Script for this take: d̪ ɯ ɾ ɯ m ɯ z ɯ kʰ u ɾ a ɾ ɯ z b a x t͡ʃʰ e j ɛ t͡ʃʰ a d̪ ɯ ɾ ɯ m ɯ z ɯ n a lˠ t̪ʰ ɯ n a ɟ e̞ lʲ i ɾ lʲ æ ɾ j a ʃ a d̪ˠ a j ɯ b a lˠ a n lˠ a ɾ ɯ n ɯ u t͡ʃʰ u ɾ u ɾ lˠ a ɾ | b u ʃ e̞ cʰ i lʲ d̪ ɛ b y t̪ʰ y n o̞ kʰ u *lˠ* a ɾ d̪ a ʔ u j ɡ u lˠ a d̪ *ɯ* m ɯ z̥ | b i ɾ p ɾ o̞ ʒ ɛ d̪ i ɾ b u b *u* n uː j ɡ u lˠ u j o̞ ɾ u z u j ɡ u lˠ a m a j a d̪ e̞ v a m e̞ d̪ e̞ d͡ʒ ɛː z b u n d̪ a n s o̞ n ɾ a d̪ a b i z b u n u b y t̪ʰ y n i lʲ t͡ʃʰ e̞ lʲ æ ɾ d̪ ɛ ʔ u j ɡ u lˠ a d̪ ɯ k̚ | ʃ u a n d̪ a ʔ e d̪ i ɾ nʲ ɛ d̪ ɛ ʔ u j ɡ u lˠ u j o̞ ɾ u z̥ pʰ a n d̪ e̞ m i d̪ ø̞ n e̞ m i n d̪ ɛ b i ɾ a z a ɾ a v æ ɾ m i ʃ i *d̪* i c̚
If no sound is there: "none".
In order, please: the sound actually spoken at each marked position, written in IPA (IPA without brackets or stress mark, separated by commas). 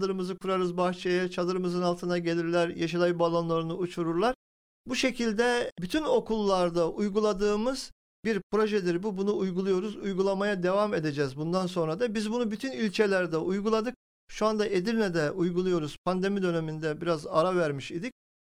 lˠː, ɯː, u, d̪